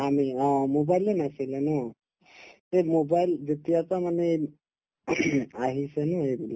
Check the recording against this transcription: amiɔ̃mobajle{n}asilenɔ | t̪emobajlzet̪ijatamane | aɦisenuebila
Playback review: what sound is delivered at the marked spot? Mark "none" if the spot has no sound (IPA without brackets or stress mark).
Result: n